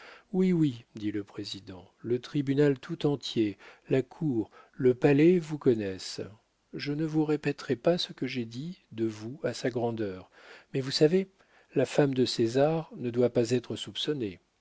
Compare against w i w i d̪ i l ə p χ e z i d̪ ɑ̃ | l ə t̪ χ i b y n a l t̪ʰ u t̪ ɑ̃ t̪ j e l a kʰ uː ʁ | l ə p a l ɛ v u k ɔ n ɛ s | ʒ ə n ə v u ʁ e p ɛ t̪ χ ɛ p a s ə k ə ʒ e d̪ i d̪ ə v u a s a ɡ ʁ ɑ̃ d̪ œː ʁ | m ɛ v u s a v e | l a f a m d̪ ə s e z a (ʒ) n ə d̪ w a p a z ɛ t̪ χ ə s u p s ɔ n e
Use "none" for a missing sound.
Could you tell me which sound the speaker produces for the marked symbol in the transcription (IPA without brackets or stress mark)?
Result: ʁ